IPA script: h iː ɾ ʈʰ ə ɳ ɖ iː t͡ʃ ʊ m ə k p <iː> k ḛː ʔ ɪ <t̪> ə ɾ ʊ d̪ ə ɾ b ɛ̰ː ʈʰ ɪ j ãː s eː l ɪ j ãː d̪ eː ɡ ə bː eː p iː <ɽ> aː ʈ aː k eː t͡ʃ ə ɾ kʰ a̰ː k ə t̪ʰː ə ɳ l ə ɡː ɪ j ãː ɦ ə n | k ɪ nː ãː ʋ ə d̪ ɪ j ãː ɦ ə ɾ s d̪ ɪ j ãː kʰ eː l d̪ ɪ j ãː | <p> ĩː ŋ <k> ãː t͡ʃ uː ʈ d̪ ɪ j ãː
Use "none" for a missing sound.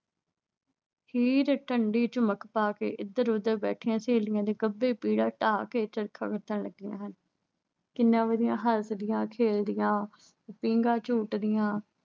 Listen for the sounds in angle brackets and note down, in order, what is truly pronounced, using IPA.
aː, d̪, ɽ, p, ɡ

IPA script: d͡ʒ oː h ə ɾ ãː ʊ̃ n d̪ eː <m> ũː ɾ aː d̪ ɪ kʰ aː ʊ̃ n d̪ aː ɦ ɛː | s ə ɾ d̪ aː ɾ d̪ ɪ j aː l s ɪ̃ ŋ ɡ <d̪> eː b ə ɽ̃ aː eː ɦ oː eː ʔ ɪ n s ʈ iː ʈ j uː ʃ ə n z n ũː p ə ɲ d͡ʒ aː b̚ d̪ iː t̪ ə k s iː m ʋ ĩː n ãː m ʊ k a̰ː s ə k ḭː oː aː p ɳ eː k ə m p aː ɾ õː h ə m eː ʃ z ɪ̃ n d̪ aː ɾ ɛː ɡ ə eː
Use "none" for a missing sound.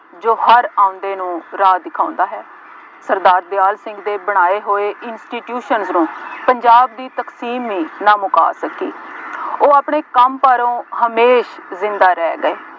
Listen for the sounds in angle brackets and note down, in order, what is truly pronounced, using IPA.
n, d̪

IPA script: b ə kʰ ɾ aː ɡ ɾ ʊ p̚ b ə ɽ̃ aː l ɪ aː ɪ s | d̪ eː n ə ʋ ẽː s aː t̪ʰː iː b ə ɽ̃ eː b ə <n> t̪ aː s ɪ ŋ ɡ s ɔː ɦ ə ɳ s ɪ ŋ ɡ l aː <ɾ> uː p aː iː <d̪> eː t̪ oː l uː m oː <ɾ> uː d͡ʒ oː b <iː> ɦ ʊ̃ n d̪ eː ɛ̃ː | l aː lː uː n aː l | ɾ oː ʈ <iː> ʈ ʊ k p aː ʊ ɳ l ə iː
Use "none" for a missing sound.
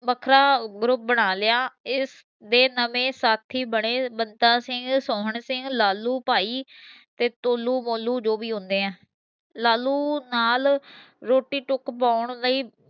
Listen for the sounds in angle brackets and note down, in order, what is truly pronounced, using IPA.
n, l, t̪, l, iː, iː

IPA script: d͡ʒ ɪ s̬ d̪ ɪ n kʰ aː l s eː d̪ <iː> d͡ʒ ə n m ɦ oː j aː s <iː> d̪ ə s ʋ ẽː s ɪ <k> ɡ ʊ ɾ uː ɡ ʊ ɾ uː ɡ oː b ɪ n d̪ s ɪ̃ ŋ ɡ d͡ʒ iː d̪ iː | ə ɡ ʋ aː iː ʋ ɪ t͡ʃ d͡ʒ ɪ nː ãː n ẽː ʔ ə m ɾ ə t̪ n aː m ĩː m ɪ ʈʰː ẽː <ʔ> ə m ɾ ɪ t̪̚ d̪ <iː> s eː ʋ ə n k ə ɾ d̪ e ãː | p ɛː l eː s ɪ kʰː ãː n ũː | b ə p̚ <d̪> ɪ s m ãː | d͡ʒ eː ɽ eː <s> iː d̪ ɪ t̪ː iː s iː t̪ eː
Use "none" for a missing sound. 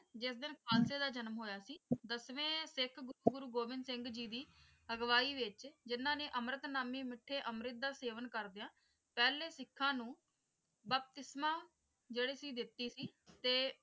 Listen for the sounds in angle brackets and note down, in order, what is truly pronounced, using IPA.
aː, iː, kʰ, ʔ, aː, t̪, s

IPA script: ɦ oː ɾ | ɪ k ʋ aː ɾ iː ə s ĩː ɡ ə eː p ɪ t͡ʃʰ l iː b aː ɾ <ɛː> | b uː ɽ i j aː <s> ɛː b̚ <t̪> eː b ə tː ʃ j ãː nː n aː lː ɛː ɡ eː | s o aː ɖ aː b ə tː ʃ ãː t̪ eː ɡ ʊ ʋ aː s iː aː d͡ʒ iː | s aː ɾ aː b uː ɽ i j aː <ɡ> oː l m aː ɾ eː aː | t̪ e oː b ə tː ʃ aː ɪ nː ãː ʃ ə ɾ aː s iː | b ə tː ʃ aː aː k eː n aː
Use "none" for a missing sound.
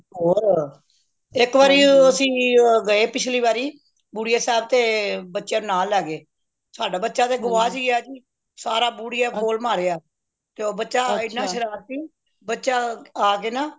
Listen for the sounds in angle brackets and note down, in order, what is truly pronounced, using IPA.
iː, s, t̪, k

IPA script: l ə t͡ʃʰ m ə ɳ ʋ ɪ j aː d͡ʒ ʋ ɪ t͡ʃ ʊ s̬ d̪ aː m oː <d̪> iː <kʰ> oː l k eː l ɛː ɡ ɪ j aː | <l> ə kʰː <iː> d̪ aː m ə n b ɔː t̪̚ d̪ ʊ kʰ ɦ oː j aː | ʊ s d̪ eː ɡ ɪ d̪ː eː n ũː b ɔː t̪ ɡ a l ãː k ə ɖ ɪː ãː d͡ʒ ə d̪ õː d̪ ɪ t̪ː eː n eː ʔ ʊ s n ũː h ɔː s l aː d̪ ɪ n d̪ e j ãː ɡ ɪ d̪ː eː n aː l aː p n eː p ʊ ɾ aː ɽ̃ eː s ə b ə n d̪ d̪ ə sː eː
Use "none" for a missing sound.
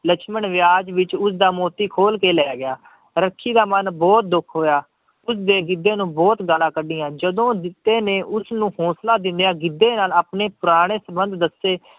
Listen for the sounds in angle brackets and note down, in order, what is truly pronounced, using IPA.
t̪, kʰ, ɾ, iː

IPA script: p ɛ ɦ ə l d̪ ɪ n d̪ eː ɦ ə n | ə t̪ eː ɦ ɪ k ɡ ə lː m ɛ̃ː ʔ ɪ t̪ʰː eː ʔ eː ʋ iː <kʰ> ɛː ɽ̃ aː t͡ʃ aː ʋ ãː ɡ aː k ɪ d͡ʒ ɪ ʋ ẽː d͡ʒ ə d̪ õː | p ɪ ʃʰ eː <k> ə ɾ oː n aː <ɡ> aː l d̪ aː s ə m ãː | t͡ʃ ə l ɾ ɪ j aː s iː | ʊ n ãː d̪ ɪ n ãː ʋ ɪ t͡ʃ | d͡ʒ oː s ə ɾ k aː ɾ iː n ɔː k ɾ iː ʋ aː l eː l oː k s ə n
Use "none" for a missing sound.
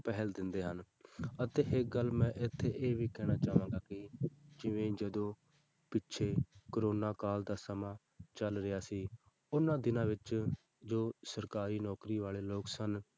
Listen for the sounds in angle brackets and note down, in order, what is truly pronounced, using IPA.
k, k, k

